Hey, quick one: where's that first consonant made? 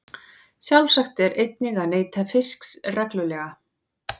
tongue tip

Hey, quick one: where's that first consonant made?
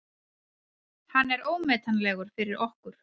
throat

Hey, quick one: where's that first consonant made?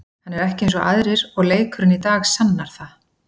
throat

